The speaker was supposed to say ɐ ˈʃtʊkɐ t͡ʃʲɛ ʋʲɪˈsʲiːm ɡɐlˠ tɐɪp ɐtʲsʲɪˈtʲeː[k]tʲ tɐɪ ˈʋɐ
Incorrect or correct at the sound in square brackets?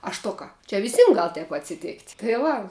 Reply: correct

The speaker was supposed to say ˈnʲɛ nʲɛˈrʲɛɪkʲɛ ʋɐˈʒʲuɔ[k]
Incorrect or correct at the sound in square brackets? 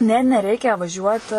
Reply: incorrect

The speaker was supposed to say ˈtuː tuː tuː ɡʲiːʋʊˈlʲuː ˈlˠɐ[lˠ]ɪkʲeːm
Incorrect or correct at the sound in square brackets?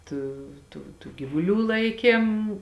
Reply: incorrect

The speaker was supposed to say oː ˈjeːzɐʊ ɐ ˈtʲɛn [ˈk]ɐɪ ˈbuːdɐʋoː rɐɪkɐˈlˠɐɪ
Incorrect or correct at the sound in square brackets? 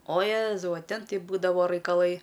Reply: incorrect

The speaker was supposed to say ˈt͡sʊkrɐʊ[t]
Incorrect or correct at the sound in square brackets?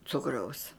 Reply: incorrect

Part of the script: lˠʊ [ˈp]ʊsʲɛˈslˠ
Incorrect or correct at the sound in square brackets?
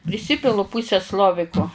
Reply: correct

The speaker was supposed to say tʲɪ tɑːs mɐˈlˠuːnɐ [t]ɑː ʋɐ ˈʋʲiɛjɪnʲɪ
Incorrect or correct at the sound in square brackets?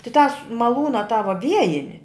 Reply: correct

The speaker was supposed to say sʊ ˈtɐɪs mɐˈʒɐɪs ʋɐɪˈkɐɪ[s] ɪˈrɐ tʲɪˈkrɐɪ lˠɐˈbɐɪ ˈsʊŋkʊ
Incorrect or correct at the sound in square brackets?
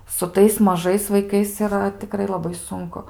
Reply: correct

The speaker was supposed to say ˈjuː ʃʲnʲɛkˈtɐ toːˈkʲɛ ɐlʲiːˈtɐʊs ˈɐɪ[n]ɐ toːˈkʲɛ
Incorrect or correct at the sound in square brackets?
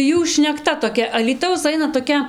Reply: correct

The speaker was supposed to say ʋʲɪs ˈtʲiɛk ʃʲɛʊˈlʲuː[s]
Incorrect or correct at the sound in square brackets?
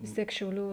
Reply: incorrect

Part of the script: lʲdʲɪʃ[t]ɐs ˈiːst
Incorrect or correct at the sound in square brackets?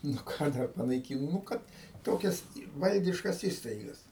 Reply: incorrect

